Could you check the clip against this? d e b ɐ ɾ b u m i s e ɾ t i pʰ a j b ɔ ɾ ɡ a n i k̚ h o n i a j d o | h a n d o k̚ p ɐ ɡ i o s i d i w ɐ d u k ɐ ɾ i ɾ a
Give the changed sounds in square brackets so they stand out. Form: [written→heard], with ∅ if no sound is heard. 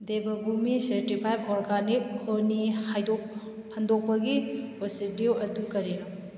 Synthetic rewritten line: d e b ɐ [ɾ→∅] b u m i s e ɾ t i pʰ a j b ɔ ɾ ɡ a n i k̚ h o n i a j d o | h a n d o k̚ p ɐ ɡ i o s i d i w ɐ d u k ɐ ɾ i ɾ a